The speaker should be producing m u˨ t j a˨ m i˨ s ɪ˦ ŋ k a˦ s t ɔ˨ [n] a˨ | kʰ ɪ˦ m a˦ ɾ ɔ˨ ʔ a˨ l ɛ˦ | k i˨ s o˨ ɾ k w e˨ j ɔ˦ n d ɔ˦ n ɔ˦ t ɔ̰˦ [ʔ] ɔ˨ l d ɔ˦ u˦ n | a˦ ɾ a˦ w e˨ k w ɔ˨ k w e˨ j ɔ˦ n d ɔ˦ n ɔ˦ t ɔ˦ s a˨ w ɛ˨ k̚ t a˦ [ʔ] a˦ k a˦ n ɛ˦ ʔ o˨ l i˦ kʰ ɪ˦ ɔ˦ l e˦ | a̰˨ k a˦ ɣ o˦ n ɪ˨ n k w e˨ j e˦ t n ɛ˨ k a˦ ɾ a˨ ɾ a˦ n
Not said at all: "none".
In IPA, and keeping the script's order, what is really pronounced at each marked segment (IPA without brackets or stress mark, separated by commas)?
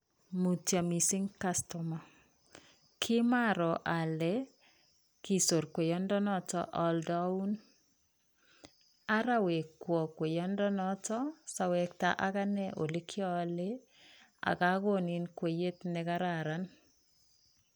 m, ʔ, ʔ